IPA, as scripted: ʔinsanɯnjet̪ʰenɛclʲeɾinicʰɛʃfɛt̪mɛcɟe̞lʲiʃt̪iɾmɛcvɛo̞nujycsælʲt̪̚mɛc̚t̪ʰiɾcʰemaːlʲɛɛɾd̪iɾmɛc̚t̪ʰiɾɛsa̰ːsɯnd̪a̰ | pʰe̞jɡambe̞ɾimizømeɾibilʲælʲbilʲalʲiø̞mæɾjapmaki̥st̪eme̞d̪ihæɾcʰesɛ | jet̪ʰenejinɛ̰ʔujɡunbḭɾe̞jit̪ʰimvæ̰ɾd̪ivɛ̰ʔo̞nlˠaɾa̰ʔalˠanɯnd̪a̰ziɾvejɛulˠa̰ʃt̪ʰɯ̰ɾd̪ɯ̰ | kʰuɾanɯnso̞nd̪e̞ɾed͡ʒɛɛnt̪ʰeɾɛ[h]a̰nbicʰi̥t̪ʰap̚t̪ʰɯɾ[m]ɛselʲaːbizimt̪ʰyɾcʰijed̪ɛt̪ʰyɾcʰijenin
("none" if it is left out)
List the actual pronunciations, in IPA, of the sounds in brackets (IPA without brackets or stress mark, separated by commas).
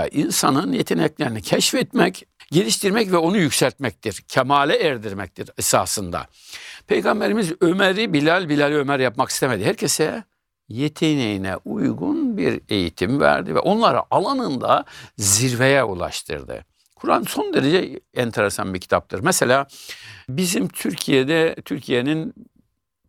s, m